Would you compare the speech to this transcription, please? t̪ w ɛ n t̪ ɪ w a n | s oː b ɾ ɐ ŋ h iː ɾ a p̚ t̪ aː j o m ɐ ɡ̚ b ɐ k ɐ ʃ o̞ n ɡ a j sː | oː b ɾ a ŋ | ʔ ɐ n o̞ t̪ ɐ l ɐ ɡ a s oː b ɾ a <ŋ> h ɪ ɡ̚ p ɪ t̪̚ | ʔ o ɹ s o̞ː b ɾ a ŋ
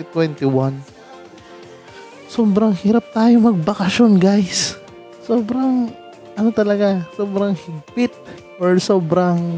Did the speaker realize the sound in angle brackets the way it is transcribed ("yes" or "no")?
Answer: yes